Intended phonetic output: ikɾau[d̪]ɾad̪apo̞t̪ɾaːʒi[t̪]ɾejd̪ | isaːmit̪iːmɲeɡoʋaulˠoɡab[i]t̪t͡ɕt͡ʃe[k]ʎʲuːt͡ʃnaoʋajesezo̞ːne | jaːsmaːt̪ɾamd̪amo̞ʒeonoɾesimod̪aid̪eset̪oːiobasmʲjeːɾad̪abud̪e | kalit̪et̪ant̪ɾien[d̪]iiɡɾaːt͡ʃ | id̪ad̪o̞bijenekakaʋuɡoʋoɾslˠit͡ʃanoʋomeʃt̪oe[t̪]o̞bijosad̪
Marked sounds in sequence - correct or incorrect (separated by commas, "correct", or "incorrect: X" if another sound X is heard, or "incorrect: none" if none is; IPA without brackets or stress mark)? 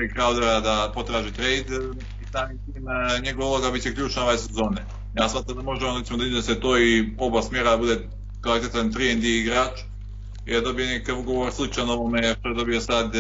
correct, correct, correct, correct, correct, incorrect: d̪